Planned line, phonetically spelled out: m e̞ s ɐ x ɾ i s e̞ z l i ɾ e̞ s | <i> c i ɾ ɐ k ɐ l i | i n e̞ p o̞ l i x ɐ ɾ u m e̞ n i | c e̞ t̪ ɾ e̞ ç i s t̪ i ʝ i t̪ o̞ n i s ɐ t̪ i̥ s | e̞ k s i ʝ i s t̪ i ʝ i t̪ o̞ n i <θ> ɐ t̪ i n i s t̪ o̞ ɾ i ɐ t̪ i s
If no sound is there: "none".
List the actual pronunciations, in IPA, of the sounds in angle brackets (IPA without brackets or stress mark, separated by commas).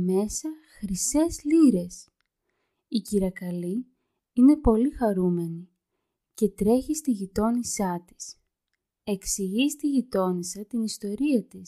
i, s